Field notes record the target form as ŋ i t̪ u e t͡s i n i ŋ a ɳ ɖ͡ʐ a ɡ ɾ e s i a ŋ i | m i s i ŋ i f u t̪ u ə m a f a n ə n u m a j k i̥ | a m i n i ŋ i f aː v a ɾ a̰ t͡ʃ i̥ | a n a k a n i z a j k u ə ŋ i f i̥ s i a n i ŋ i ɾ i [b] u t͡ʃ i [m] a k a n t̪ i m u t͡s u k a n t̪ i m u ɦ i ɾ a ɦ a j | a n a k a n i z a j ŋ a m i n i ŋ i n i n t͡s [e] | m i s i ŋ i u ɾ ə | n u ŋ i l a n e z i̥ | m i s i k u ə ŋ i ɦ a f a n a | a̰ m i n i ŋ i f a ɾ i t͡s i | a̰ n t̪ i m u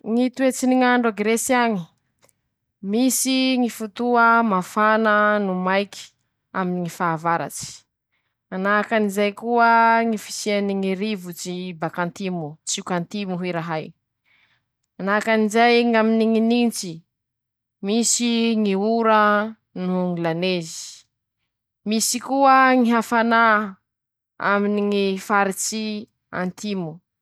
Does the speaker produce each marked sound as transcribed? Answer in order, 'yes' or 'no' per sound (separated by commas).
no, no, no